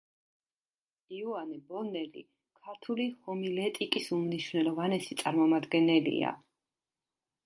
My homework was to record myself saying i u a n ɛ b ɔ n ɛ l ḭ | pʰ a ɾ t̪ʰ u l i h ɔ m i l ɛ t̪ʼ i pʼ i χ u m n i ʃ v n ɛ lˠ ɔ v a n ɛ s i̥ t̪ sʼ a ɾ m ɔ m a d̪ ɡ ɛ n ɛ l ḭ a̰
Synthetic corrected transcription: i u a n ɛ b ɔ n ɛ l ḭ | kʰ a ɾ t̪ʰ u l i h ɔ m i l ɛ t̪ʼ i kʼ i s u m n i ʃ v n ɛ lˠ ɔ v a n ɛ s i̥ t̪ sʼ a ɾ m ɔ m a d̪ ɡ ɛ n ɛ l ḭ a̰